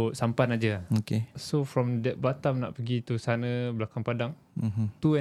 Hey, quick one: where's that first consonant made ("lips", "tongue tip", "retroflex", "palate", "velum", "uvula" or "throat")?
tongue tip